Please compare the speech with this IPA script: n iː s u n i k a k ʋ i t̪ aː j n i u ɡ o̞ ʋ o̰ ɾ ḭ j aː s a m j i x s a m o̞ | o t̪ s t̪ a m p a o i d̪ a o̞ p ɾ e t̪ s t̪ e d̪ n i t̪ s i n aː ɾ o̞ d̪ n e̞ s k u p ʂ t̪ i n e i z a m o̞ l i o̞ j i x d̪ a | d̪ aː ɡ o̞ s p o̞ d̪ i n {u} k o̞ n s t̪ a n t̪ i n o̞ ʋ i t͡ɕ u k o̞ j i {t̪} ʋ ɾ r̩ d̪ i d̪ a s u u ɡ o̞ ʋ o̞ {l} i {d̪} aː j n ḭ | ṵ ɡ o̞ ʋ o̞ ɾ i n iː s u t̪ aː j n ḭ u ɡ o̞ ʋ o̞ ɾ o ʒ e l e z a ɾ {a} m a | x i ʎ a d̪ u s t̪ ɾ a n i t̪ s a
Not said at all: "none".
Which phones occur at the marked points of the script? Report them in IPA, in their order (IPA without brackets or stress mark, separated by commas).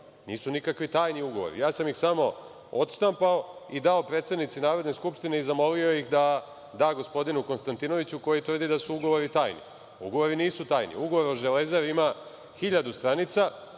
u, t̪, ɾ, t̪, i